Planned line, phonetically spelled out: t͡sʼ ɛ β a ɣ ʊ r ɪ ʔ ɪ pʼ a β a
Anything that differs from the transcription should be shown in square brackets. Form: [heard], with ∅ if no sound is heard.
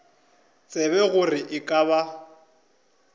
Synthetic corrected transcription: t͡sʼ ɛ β [ɛ] ɣ ʊ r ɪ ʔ ɪ [kʼ] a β a